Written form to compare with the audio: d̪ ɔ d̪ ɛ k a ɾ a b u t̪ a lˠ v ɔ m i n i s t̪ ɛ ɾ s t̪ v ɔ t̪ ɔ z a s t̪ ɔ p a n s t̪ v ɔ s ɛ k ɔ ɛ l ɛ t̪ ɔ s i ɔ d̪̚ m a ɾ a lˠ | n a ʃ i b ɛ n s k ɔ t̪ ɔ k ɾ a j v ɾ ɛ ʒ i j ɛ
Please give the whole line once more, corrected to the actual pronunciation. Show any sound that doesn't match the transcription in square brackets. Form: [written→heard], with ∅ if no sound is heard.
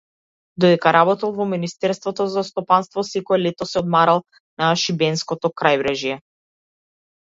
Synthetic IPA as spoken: d̪ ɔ d̪ ɛ k a ɾ a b [u→ɔ] t̪ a lˠ v ɔ m i n i s t̪ ɛ ɾ s t̪ v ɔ t̪ ɔ z a s t̪ ɔ p a n s t̪ v ɔ s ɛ k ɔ ɛ l ɛ t̪ ɔ s [i→ɛ] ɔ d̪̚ m a ɾ a lˠ | n a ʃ i b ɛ n s k ɔ t̪ ɔ k ɾ a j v ɾ ɛ ʒ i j ɛ